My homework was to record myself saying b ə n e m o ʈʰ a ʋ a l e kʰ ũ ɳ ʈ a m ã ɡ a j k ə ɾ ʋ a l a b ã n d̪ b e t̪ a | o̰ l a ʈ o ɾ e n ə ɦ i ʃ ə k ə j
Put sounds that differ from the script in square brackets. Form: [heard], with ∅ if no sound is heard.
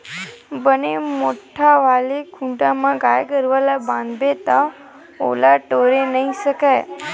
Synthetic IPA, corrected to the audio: b ə n e m o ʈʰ a ʋ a l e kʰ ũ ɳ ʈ a m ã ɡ a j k ə ɾ ʋ a l a b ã n d̪ b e t̪ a | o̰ l a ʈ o ɾ e n ə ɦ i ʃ ə k [a] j